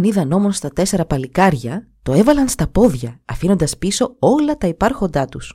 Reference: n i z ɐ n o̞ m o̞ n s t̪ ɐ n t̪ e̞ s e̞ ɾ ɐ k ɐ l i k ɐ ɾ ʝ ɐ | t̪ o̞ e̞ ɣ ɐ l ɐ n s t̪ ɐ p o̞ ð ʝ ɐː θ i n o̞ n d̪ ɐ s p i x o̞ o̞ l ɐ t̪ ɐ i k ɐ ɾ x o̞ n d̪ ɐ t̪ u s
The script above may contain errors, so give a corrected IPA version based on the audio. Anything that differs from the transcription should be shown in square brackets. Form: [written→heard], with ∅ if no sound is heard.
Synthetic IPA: n i [z→ð] ɐ n o̞ m o̞ n s t̪ ɐ [n→∅] t̪ e̞ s e̞ ɾ ɐ [k→p] ɐ l i k ɐ ɾ ʝ ɐ | t̪ o̞ e̞ [ɣ→v] ɐ l ɐ n s t̪ ɐ p o̞ ð ʝ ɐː [θ→f] i n o̞ n d̪ ɐ s p i [x→s] o̞ o̞ l ɐ t̪ ɐ i [k→p] ɐ ɾ x o̞ n d̪ ɐ t̪ u s